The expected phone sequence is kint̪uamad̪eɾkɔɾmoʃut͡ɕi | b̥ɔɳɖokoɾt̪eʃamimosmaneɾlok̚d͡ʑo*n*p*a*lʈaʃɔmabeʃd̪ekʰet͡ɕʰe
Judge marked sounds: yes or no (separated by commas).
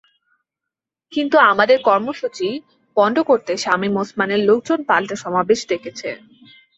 yes, yes